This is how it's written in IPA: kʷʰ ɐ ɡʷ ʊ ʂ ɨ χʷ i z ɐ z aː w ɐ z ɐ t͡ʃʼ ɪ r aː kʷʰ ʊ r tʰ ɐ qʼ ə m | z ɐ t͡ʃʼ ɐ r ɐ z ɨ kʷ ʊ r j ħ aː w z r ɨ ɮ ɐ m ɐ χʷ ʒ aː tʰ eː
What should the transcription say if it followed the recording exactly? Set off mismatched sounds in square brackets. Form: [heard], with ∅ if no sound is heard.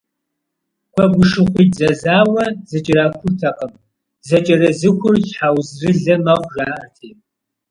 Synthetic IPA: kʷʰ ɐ ɡʷ ʊ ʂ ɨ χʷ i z ɐ z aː w ɐ z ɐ t͡ʃʼ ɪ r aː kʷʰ ʊ r tʰ ɐ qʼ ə m | z ɐ t͡ʃʼ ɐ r ɐ z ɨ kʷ ʊ r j ħ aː w z r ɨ ɮ ɐ m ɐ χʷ ʒ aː tʰ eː